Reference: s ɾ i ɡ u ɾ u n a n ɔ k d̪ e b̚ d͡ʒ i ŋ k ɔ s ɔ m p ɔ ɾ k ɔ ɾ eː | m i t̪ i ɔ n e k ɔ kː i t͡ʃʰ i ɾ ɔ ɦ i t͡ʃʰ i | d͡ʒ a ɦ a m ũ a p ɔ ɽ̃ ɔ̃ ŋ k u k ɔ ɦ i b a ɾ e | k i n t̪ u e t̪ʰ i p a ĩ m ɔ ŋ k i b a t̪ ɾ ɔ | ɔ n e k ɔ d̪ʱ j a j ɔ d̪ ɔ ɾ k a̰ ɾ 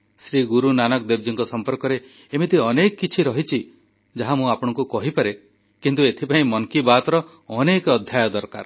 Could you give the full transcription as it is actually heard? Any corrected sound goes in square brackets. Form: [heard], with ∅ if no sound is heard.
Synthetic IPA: s ɾ i ɡ u ɾ u n a n ɔ k d̪ e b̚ d͡ʒ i ŋ k ɔ s ɔ m p ɔ ɾ k ɔ ɾ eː | m i t̪ i ɔ n e k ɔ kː i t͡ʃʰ i ɾ ɔ ɦ i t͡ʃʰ i | d͡ʒ a ɦ a m ũ a p ɔ ɽ̃ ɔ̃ ŋ k u k ɔ ɦ i [p] a ɾ e | k i n t̪ u e t̪ʰ i p a ĩ m ɔ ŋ k i b a t̪ ɾ ɔ | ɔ n e k ɔ d̪ʱ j a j ɔ d̪ ɔ ɾ k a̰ ɾ